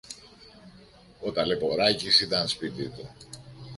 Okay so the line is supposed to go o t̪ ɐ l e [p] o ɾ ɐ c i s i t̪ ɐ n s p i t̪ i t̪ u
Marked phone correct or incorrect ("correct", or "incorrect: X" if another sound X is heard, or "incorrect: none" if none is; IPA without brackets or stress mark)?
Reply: correct